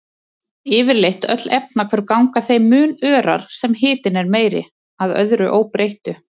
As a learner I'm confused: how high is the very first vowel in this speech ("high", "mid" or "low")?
high